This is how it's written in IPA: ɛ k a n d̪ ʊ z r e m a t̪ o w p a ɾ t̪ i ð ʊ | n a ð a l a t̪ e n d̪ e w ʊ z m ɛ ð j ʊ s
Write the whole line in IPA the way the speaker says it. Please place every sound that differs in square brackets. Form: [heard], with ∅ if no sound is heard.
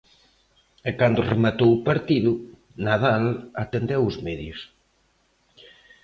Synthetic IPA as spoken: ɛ k a n d̪ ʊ [∅] r e m a t̪ o w p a ɾ t̪ i ð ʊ | n a ð a l a t̪ e n d̪ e w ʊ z m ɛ ð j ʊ s